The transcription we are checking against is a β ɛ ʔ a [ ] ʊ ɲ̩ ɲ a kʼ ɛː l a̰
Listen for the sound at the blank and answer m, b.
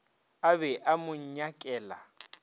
m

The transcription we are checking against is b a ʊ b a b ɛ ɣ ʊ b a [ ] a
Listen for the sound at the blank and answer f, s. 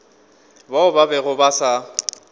s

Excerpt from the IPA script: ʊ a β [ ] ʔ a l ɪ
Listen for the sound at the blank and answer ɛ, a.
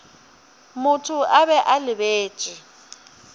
ɛ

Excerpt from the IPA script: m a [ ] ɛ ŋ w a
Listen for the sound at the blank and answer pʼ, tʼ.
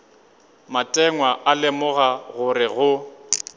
tʼ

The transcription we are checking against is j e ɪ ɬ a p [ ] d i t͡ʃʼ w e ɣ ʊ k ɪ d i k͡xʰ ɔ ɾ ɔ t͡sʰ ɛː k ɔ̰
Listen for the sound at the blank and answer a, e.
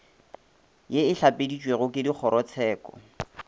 e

